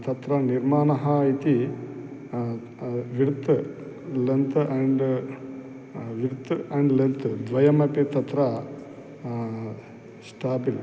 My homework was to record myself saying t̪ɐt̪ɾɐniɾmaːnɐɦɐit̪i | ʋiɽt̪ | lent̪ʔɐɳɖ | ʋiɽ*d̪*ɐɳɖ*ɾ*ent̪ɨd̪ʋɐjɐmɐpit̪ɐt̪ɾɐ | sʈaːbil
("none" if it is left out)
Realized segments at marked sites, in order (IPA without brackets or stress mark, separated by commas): t̪, l